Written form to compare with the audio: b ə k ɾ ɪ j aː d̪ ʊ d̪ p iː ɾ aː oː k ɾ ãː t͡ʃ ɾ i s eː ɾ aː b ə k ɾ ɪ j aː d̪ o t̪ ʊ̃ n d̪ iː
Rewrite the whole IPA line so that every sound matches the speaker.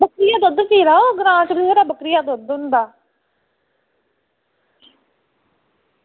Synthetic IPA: b ə k ɾ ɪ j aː d̪ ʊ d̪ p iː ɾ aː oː ɡ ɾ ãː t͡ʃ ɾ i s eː ɾ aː b ə k ɾ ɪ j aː d̪ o d̪ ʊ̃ n d̪ aː